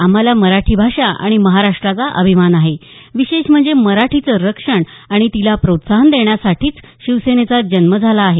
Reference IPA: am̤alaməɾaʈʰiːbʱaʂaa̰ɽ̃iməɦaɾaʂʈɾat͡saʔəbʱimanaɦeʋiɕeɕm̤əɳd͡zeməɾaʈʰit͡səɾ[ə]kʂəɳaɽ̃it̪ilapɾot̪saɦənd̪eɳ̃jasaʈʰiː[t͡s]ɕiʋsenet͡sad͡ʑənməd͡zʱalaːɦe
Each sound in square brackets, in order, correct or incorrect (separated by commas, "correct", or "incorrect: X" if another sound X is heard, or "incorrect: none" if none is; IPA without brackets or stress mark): correct, correct